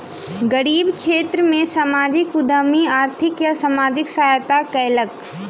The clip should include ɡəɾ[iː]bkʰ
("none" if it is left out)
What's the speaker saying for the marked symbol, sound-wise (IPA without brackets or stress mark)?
iː